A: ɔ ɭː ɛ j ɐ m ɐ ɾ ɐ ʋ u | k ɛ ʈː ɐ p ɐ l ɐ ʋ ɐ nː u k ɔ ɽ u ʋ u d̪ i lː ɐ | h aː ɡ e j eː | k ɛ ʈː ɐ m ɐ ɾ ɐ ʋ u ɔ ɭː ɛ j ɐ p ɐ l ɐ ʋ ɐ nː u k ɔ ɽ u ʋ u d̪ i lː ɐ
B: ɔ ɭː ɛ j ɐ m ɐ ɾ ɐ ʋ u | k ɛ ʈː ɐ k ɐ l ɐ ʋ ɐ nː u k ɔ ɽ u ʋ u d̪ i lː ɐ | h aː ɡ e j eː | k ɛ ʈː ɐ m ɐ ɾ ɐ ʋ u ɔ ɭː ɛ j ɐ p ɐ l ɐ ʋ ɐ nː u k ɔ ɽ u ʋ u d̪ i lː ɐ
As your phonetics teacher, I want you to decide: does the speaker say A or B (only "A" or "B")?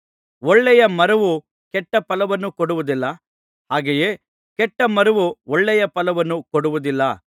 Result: A